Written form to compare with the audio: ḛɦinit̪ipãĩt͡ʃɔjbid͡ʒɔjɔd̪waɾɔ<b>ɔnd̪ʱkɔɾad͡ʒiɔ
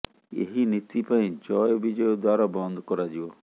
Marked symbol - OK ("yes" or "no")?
yes